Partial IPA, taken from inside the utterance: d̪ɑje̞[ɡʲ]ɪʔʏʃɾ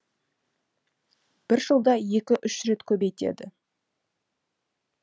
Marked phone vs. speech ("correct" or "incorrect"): incorrect